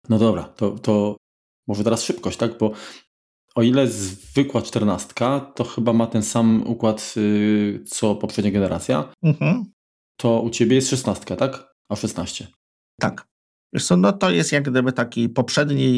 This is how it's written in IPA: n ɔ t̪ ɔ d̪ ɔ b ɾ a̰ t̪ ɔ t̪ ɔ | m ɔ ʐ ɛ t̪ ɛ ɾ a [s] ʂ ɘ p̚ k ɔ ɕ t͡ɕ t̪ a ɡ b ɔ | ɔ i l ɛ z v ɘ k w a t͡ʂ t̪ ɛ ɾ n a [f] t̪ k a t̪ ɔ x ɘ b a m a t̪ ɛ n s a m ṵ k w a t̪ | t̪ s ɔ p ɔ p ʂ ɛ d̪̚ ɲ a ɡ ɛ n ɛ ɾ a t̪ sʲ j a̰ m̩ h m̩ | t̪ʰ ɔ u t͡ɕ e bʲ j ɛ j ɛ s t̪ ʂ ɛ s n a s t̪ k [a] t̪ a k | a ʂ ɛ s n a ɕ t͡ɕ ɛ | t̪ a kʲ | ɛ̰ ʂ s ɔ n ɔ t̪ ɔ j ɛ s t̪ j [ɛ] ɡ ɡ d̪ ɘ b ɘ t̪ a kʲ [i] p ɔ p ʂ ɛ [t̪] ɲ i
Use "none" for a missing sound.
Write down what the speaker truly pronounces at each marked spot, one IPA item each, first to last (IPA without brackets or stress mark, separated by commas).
s, s, a, a, i, d̪